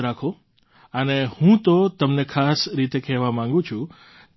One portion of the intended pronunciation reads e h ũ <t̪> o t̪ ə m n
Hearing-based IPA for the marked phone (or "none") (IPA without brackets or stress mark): t̪